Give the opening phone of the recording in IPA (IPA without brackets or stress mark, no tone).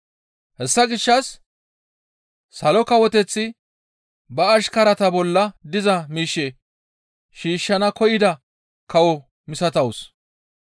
h